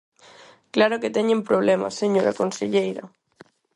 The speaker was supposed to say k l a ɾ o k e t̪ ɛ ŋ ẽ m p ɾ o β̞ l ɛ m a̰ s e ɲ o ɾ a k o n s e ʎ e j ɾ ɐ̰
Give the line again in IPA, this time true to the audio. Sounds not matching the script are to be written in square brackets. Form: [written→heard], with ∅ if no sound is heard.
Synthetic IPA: k l a ɾ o k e t̪ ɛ [ŋ→ɲ] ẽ m p ɾ o β̞ l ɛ m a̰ s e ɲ o ɾ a k o n s e ʎ e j ɾ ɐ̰